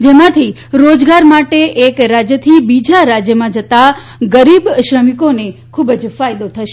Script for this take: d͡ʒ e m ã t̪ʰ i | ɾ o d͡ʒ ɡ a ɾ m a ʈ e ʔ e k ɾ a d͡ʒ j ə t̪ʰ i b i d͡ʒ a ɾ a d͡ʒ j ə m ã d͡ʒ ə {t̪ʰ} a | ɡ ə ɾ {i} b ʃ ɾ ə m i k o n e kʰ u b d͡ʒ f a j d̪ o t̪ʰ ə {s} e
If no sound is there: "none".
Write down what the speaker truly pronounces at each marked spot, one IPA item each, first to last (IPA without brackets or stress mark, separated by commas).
t̪, i, ʃ